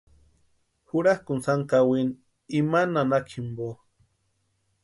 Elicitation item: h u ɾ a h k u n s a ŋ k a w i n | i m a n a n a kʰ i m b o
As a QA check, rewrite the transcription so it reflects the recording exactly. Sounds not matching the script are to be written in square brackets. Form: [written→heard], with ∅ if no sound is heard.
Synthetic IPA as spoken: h u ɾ a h k u n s a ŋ k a w i n | i m a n a n a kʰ i m b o